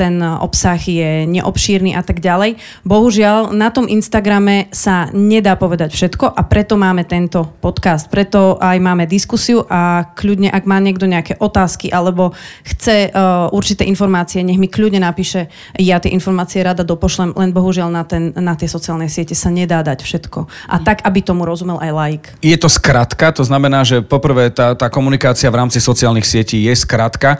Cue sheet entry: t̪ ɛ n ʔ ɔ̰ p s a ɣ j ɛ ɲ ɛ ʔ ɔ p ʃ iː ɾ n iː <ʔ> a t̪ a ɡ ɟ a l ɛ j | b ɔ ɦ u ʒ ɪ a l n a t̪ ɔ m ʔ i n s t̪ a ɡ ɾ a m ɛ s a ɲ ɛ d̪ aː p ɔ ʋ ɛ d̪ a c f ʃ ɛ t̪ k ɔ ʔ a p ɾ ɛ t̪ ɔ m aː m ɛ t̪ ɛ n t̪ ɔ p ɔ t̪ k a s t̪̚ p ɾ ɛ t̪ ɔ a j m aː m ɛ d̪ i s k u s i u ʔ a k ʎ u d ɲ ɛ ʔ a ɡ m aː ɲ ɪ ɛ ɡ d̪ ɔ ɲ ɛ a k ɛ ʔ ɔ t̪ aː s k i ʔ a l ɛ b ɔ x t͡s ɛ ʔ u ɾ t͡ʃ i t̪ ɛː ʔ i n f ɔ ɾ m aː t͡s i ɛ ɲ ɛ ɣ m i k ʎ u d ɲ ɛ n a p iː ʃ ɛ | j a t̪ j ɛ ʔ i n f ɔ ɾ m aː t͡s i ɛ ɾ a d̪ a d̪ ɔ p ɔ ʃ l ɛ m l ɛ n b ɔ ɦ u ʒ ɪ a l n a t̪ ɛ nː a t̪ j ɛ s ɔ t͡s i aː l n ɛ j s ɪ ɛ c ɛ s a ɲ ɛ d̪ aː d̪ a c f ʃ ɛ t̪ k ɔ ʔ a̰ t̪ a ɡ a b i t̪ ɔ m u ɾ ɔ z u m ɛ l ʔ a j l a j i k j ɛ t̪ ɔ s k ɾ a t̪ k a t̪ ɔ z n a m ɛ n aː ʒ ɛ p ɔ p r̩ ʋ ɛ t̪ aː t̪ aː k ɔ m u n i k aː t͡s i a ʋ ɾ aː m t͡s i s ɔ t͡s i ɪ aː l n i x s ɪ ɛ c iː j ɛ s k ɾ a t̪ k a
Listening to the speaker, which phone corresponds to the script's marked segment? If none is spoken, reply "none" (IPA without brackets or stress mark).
ʔ